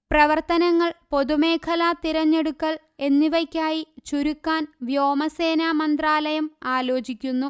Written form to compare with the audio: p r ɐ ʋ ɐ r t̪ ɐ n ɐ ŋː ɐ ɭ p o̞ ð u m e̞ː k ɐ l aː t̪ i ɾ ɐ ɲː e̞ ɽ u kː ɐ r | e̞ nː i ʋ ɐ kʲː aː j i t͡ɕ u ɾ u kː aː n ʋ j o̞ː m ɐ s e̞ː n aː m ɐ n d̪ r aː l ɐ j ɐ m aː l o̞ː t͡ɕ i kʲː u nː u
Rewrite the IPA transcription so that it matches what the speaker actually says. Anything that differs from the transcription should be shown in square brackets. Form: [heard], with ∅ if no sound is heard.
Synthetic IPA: p r ɐ ʋ ɐ r t̪ ɐ n ɐ ŋː ɐ ɭ p o̞ ð u m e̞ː [kʰ] ɐ l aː t̪ i ɾ ɐ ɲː e̞ ɽ u kː ɐ [ɭ] | e̞ nː i ʋ ɐ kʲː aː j i t͡ɕ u ɾ u kː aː n ʋ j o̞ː m ɐ s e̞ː n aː m ɐ n d̪ r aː l ɐ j ɐ m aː l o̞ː t͡ɕ i kʲː u nː u